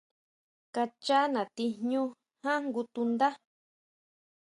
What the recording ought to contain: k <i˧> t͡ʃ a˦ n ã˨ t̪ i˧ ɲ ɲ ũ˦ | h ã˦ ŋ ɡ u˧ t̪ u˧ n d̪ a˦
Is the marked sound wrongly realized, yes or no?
yes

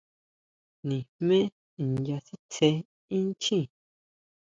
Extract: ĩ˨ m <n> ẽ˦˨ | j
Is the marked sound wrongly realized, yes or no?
yes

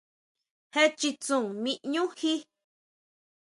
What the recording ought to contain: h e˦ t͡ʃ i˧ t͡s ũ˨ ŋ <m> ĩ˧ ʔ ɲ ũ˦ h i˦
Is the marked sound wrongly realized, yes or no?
no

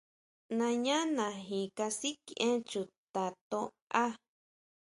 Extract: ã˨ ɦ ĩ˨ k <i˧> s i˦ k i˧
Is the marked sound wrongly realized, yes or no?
yes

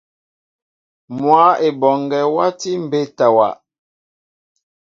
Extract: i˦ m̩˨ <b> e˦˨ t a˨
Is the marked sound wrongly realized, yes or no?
no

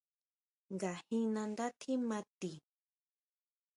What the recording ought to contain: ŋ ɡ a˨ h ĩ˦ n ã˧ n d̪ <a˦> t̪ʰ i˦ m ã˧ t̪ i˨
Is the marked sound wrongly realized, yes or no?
no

